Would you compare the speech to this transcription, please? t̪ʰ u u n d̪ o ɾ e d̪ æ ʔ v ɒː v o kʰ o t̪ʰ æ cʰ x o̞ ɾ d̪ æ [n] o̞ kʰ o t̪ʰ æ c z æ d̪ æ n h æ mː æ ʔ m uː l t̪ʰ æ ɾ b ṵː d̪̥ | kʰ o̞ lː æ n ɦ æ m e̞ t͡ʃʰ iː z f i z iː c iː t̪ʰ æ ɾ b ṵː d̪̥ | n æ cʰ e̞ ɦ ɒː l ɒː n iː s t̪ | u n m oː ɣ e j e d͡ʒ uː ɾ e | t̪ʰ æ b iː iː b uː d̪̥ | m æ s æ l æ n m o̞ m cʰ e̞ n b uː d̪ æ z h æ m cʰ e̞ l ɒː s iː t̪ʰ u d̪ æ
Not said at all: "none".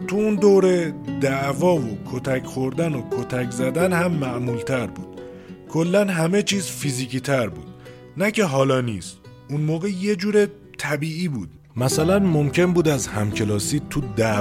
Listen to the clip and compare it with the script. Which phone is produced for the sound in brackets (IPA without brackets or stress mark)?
n